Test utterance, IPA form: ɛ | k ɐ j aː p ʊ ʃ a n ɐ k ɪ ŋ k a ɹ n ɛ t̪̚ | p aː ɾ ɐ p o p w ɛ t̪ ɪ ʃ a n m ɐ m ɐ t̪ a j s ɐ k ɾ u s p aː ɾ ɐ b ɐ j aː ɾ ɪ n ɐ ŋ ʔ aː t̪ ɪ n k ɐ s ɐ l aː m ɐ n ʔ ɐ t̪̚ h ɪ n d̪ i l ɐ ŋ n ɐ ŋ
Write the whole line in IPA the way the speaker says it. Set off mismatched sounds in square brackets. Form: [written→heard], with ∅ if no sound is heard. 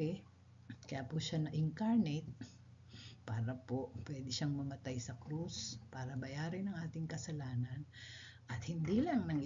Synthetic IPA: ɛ | k ɐ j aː p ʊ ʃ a n ɐ [k→ʔ] ɪ ŋ k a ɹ n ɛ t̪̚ | p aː ɾ ɐ p o p w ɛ [t̪→d̪] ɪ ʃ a [n→ŋ] m ɐ m ɐ t̪ a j s ɐ k ɾ u s p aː ɾ ɐ b ɐ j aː ɾ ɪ n ɐ ŋ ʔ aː t̪ ɪ [n→ŋ] k ɐ s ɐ l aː [m→n] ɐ n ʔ ɐ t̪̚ h ɪ n d̪ i l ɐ ŋ n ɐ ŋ